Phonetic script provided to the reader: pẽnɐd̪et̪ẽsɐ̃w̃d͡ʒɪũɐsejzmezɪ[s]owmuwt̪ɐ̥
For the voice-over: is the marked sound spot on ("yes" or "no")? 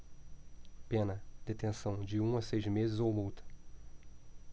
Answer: no